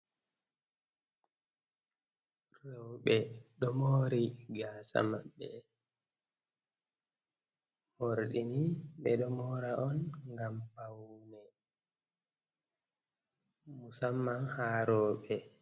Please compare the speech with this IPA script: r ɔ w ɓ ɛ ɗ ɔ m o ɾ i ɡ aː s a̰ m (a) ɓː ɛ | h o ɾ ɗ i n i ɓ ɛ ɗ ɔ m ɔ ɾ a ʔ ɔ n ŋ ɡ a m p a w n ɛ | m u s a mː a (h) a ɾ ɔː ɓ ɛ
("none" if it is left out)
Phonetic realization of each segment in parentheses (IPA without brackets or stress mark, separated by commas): a, h